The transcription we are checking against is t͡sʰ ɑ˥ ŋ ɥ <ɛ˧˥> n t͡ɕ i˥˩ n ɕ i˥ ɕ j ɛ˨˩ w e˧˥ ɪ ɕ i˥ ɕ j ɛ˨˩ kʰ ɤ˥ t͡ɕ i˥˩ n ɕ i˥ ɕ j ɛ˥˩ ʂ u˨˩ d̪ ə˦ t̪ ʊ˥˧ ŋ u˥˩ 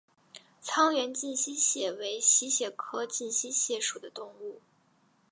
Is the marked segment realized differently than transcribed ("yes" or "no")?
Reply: no